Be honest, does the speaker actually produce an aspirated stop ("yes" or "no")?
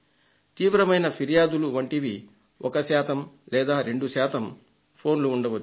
yes